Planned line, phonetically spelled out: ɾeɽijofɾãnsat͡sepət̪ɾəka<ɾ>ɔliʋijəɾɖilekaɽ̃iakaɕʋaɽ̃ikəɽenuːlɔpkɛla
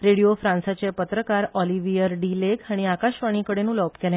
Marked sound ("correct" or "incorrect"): correct